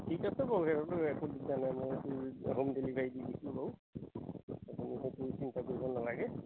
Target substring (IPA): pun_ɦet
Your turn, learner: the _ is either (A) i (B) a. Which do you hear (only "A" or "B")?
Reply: A